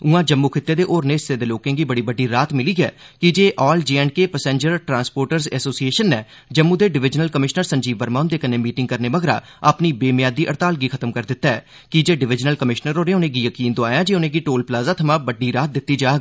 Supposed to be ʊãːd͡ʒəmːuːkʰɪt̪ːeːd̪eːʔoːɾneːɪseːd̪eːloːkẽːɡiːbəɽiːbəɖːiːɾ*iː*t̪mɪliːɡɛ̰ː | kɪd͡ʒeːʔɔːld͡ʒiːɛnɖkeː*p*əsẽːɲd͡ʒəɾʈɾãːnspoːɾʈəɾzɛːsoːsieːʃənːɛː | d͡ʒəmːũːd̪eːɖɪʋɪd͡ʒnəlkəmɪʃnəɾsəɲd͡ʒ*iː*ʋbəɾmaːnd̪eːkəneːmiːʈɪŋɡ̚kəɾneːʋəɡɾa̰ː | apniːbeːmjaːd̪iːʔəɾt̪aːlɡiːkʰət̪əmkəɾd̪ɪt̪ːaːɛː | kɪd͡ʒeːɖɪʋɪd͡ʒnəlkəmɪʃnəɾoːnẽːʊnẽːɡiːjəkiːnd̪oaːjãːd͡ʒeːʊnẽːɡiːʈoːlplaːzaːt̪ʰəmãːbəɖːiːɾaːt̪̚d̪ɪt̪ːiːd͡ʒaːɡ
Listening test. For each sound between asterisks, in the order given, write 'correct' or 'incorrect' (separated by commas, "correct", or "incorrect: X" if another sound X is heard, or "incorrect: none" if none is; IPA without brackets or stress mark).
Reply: incorrect: aː, correct, correct